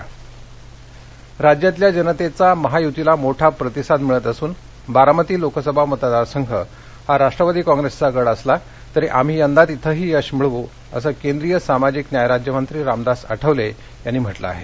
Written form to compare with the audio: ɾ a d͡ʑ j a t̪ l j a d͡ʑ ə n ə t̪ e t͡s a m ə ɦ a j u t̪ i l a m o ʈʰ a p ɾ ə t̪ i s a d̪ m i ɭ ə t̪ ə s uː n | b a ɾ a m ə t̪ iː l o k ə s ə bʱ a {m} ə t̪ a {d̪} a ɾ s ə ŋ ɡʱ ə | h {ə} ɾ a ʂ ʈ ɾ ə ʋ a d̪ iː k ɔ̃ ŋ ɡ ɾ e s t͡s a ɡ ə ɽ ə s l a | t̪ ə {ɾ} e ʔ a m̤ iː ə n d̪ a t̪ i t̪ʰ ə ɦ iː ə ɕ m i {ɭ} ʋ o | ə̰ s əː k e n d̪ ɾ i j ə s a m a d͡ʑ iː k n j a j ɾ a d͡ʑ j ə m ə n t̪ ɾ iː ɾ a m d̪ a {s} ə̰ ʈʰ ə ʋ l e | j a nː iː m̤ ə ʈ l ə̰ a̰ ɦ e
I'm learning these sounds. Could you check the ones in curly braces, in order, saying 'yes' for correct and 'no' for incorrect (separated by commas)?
yes, yes, no, yes, yes, yes